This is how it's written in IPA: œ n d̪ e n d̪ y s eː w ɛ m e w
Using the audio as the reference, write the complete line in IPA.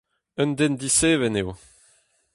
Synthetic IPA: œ n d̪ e n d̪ i s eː v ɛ n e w